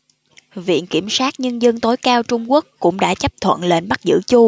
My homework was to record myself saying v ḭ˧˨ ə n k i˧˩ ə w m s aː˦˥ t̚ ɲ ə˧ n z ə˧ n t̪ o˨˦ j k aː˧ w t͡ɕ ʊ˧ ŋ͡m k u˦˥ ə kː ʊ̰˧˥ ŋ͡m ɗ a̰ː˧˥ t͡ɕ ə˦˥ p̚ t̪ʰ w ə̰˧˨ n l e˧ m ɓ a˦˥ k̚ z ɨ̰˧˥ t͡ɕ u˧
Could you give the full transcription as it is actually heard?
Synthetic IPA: v ḭ˧˨ ə n k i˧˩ ə m s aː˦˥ t̚ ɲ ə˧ n z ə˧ n t̪ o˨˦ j k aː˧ w t͡ɕ ʊ˧ ŋ͡m k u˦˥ ə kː ʊ̰˧˥ ŋ͡m ɗ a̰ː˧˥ t͡ɕ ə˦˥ p̚ t̪ʰ w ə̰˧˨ n l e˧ n ɓ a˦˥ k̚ z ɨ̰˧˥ t͡ɕ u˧